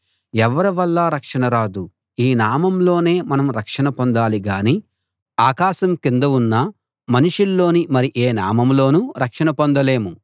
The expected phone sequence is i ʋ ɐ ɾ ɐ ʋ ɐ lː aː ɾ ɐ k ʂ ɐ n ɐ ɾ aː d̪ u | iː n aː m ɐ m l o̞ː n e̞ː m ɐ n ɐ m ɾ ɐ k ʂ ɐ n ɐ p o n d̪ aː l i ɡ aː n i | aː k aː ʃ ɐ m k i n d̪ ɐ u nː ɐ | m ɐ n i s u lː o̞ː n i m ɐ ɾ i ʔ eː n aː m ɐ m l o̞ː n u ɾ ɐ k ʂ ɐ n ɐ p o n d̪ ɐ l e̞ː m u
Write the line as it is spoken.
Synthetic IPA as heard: ɛ ʋ ɐ ɾ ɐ ʋ ɐ lː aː ɾ ɐ k ʂ ɐ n ɐ ɾ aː d̪ u | iː n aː m ɐ m l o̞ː n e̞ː m ɐ n ɐ m ɾ ɐ k ʂ ɐ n ɐ p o n d̪ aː l i ɡ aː n i | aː k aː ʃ ɐ m k i n d̪ ɐ u nː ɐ | m ɐ n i ʂ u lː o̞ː n i m ɐ ɾ i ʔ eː n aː m ɐ m l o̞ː n u ɾ ɐ k ʂ ɐ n ɐ p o n d̪ ɐ l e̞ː m u